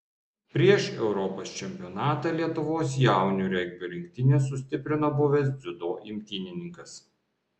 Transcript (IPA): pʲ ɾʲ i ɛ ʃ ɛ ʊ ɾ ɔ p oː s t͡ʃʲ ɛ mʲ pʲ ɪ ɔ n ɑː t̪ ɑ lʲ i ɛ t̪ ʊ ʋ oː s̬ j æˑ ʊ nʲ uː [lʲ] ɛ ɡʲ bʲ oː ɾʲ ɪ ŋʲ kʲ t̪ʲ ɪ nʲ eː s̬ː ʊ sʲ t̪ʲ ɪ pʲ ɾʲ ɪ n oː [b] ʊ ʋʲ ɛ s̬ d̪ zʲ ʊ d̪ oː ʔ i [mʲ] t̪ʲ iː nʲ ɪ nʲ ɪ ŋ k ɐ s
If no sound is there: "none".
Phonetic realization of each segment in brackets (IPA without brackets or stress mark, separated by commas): ɾʲ, b, mʲ